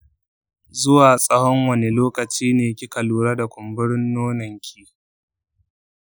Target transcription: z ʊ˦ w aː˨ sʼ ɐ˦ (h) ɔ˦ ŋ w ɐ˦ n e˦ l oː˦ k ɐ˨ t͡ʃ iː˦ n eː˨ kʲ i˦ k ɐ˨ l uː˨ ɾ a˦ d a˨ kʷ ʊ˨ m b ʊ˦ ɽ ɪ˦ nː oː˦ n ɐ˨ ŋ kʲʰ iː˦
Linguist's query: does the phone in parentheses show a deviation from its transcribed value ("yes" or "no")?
no